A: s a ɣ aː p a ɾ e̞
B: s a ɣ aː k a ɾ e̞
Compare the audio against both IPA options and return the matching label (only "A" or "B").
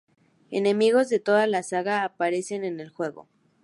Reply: A